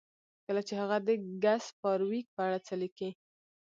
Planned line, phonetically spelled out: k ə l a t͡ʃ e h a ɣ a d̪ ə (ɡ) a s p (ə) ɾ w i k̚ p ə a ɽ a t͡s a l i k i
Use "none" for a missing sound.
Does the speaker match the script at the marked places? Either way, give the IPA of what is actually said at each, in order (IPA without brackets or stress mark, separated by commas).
ɡ, ɑ